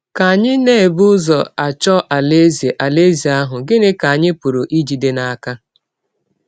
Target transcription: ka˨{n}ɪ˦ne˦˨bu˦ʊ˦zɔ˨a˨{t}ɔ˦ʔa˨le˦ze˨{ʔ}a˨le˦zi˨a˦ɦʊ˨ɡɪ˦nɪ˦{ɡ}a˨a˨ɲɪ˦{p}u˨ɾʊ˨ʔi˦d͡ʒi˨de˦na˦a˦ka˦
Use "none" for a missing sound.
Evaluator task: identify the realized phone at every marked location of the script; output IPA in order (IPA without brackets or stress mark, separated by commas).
ɲ, t͡ʃ, ʔ, k, p